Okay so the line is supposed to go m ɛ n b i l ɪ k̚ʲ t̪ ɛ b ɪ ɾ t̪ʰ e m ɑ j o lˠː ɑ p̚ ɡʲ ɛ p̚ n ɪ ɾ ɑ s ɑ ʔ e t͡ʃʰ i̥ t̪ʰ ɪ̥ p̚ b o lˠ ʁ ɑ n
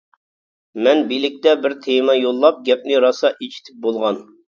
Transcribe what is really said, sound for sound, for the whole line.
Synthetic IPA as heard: m ɛ n b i l ɪ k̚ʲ t̪ ɛ b ɪ ɾ t̪ʰ e m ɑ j o lˠː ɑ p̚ ɡʲ ɛ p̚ n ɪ ɾ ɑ s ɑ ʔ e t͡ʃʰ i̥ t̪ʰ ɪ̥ p̚ b o lˠ ʁ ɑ n